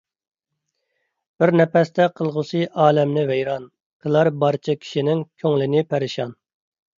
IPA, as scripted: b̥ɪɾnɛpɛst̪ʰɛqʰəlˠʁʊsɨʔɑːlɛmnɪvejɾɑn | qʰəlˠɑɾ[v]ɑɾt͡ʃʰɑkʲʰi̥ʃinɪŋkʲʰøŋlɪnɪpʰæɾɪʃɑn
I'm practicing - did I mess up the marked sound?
yes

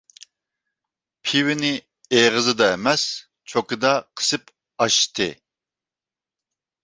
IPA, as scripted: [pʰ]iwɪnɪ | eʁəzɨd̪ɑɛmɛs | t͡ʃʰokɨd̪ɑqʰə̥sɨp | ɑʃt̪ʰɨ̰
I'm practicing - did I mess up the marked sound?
no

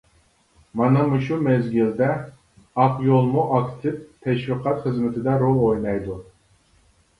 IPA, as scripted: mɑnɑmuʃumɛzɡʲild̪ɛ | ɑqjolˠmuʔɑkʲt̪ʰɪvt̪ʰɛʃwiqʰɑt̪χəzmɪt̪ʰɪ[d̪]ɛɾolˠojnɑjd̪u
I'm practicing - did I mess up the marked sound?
no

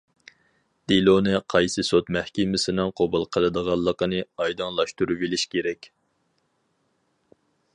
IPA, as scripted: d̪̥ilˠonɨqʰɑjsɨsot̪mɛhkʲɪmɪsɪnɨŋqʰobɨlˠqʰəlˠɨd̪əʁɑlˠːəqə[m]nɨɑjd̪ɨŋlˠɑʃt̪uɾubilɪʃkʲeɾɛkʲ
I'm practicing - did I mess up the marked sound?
yes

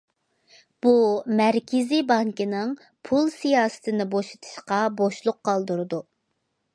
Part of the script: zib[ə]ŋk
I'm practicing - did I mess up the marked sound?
yes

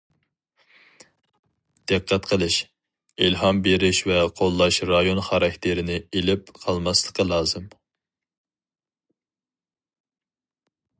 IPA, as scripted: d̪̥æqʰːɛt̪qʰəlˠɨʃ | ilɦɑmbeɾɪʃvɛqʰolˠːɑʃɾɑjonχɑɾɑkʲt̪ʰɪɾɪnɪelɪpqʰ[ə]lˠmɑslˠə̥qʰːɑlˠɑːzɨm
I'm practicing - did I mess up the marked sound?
yes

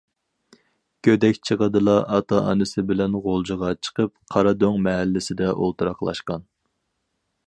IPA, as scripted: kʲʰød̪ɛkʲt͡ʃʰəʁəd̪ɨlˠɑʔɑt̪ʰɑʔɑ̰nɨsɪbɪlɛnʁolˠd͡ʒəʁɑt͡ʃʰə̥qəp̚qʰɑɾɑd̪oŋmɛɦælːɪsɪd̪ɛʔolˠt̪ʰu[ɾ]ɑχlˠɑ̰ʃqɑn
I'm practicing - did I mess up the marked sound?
no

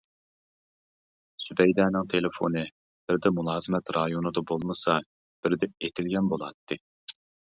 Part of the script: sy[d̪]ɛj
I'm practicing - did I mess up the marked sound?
no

